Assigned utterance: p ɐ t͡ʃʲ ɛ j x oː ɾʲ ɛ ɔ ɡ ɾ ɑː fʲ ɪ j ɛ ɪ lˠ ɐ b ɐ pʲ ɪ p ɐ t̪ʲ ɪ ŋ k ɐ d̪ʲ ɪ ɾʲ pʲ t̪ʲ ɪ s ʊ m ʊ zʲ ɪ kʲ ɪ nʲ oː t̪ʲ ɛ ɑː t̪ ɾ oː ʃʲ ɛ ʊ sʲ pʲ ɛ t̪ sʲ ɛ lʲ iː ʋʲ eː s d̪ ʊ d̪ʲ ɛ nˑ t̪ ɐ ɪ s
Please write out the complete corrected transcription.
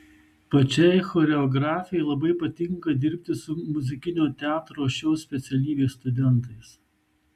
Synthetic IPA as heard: p ɐ t͡ʃʲ ɛ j x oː ɾʲ ɛ ɔ ɡ ɾ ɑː fʲ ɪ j ɛ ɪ lˠ ɐ b ɐ ɪ p ɐ t̪ʲ ɪ ŋ k ɐ d̪ʲ ɪ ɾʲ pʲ t̪ʲ ɪ s ʊ m ʊ zʲ ɪ kʲ ɪ nʲ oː t̪ʲ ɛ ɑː t̪ ɾ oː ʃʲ ɛ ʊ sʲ pʲ ɛ t̪ sʲ ɛ lʲ iː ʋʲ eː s t̪ ʊ d̪ʲ ɛ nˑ t̪ ɐ ɪ s